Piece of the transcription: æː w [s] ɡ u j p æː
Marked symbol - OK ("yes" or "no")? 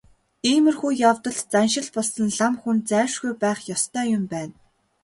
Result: no